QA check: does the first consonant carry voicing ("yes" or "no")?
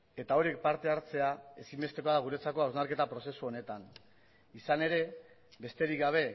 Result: no